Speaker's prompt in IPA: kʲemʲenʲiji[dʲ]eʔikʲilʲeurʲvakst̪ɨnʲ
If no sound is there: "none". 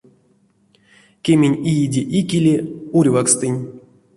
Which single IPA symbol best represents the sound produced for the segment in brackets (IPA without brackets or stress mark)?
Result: dʲ